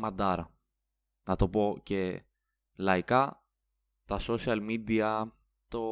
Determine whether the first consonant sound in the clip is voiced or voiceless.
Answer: voiced